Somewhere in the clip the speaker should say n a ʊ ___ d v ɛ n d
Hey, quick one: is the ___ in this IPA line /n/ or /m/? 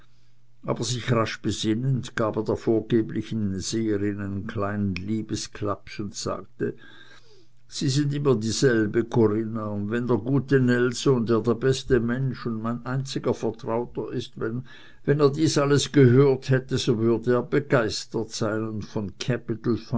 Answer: n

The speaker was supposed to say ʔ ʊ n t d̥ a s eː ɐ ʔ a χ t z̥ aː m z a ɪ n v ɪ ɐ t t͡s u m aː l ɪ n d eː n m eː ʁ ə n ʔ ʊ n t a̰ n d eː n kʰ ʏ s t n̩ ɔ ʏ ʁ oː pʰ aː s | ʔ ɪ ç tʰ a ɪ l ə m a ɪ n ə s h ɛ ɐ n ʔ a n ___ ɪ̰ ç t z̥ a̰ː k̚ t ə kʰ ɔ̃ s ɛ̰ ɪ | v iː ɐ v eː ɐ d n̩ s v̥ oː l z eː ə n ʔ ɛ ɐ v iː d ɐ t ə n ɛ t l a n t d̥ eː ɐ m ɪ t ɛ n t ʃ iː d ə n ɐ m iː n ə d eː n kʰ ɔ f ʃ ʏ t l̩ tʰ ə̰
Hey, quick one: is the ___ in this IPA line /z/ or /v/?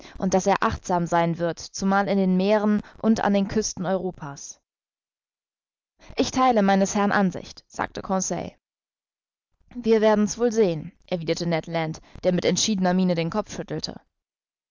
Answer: z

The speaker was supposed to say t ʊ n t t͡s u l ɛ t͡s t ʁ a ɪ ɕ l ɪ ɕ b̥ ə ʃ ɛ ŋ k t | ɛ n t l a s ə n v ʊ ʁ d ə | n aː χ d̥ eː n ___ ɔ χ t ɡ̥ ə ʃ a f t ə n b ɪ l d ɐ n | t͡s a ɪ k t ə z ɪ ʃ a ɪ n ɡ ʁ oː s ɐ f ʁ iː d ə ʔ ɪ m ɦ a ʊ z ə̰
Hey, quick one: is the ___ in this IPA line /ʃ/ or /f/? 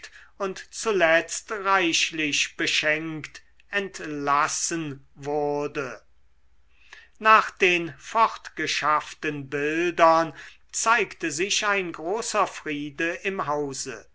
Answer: f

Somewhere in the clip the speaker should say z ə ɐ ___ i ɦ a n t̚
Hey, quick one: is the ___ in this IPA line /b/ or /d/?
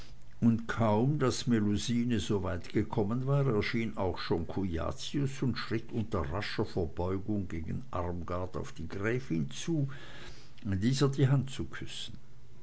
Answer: d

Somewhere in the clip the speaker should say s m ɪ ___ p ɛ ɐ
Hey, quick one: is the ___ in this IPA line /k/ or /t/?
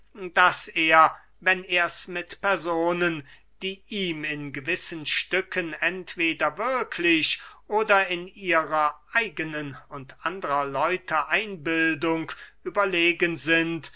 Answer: t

